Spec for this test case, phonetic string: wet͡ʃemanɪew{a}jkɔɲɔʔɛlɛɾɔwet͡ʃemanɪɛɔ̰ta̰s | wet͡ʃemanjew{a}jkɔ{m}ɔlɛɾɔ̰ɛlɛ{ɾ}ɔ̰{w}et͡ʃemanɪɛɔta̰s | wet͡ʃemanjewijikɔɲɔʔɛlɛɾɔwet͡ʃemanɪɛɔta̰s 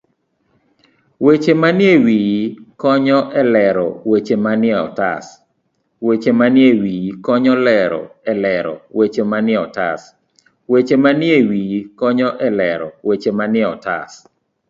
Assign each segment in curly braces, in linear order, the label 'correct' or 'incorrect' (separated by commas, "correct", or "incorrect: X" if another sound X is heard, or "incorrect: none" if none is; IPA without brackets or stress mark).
incorrect: i, incorrect: i, incorrect: ɲ, correct, correct